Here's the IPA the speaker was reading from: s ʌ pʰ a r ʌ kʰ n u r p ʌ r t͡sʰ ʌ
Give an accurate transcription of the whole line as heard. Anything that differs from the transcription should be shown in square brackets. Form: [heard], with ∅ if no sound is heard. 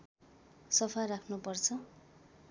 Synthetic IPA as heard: s ʌ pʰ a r [a] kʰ n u [∅] p ʌ r t͡sʰ ʌ